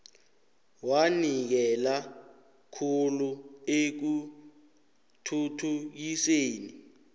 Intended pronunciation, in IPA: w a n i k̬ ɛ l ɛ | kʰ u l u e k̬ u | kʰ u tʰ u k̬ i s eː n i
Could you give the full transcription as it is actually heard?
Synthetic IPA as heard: w a n i k̬ ɛ l a | kʰ u l u e k̬ u | tʰ u tʰ u k̬ i s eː n i